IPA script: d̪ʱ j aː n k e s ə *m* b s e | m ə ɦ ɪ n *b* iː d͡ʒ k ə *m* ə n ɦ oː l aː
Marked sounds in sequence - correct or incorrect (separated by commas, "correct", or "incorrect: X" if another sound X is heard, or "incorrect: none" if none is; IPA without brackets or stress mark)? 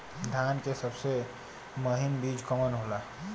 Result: incorrect: none, correct, correct